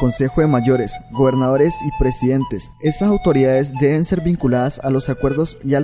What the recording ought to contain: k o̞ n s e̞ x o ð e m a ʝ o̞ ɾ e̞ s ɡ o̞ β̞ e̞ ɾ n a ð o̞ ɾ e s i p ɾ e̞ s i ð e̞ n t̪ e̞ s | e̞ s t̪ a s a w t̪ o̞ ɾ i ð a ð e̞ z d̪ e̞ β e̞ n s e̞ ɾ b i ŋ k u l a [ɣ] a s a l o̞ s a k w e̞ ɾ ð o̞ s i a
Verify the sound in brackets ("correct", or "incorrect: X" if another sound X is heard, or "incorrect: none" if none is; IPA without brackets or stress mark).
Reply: incorrect: ð